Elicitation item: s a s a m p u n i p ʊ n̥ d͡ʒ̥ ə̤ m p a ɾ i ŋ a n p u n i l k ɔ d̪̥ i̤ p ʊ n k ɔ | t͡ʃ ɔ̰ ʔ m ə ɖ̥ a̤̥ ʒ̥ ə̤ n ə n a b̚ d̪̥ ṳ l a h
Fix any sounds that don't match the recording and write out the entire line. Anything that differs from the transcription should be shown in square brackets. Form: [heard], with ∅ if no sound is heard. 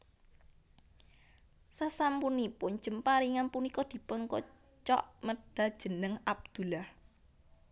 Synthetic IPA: s a s a m p u n i p ʊ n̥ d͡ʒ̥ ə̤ m p a ɾ i ŋ a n p u n i [∅] k ɔ d̪̥ i̤ p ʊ n k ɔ | t͡ʃ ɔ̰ ʔ m ə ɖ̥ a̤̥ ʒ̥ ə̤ n ə [ŋ] a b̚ d̪̥ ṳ l a h